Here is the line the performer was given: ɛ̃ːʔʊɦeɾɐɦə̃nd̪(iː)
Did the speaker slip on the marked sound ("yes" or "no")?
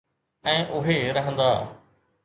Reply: yes